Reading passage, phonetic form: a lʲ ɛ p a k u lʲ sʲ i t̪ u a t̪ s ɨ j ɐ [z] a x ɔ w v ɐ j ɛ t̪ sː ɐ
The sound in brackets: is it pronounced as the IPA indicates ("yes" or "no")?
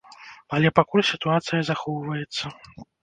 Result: yes